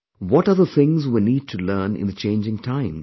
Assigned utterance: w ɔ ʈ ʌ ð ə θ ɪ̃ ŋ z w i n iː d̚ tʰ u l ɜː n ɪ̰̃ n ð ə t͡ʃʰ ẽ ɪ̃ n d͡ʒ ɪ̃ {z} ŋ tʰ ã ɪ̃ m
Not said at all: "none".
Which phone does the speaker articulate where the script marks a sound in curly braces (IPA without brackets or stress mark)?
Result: none